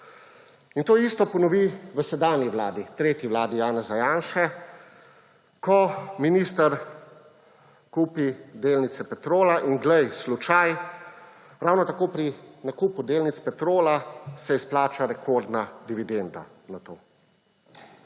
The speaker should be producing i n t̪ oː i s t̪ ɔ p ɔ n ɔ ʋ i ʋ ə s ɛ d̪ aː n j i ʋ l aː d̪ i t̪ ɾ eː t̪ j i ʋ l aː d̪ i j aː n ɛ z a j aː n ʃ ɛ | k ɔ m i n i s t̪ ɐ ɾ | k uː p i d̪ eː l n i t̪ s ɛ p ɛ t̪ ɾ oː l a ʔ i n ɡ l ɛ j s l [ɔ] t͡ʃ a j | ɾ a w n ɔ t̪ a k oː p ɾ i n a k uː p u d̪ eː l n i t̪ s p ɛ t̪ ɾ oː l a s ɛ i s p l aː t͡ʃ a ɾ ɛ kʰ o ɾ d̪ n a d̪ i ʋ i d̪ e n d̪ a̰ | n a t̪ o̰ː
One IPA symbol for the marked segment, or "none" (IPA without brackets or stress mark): u